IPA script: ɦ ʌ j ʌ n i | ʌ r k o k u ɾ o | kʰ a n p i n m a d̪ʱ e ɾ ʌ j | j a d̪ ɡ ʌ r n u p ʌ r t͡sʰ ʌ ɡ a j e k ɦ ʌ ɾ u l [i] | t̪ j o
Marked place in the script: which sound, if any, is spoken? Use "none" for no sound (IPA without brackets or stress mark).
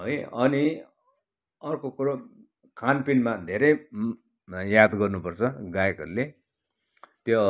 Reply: e